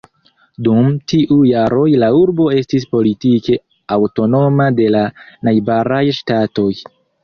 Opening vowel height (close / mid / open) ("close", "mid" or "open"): close